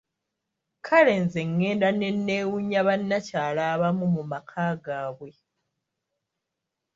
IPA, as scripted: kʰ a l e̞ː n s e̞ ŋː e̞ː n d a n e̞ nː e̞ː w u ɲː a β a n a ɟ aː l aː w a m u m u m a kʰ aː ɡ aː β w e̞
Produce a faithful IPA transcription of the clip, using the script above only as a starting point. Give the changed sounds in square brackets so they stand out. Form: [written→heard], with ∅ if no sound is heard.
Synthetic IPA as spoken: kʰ a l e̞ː n [s→z] e̞ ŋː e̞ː n d a n e̞ nː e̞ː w u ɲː a β a [n→nː] a [ɟ→c] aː l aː [w→β] a m u m u m a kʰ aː ɡ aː β w e̞